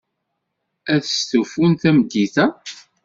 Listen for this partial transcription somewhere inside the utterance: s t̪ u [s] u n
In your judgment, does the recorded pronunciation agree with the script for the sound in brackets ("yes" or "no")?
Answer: no